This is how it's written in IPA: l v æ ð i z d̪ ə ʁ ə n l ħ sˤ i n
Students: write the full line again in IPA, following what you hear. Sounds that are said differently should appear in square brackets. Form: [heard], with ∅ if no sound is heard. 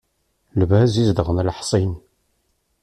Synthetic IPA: l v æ [z] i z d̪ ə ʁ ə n l ħ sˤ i n